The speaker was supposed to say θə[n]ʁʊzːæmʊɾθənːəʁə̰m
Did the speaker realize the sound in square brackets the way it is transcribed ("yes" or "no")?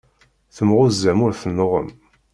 no